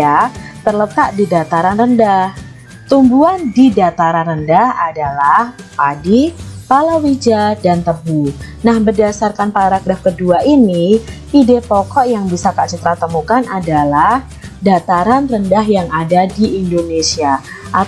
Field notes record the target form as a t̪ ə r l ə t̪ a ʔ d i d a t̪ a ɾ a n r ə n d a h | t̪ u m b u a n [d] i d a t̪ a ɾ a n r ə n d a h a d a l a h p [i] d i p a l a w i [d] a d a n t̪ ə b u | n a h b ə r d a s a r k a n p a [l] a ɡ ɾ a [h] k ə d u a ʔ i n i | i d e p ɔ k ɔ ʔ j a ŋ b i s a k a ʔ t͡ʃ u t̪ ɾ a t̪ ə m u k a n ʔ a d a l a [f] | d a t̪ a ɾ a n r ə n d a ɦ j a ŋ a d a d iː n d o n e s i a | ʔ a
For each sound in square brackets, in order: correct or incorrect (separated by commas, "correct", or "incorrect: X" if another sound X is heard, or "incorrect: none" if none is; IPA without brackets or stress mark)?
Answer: correct, incorrect: a, incorrect: d͡ʒ, incorrect: ɾ, incorrect: f, incorrect: h